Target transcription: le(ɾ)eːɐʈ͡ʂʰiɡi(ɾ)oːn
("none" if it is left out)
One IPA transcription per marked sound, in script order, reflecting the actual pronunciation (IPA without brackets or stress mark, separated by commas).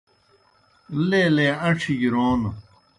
l, ɾ